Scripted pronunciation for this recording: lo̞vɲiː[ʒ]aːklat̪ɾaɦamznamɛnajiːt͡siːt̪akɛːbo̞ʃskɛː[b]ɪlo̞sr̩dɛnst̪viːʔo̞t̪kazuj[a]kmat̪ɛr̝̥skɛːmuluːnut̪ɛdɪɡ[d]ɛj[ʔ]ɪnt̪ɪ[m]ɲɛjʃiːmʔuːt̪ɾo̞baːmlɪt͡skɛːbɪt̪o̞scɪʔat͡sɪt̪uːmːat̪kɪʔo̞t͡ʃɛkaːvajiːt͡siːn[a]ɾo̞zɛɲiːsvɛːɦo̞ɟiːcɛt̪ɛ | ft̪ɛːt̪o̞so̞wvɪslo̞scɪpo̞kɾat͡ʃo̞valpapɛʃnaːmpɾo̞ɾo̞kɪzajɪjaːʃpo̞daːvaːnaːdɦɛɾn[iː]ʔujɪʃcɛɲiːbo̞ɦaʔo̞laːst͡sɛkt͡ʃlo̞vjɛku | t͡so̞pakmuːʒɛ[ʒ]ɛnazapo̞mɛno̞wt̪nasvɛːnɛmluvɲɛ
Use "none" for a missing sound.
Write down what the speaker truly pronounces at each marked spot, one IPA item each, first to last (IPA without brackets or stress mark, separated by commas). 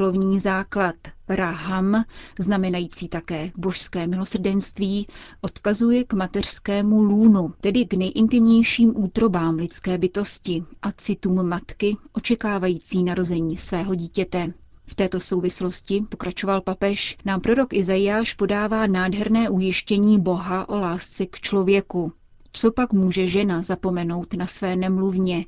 z, m, ɛ, n, ʔ, m, a, ɛː, ʒ